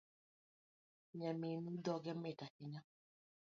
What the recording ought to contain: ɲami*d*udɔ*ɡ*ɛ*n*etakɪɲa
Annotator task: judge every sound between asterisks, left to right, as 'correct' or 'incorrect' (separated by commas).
incorrect, correct, incorrect